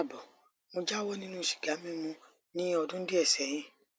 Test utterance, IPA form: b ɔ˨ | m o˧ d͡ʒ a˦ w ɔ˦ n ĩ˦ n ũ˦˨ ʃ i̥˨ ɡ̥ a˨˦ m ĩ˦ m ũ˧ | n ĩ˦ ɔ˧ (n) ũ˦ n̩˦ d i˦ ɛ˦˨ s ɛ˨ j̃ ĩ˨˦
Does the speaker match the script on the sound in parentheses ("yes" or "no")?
no